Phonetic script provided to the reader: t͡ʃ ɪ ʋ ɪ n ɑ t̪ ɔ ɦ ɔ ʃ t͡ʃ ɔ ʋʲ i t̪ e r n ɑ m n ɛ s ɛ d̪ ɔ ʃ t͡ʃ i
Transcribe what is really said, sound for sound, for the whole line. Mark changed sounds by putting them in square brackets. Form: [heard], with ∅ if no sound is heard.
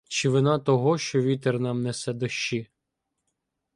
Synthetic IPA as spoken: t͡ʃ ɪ ʋ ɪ n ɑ t̪ ɔ ɦ ɔ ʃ t͡ʃ ɔ ʋʲ i t̪ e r n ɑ m n ɛ s ɛ d̪ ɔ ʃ t͡ʃ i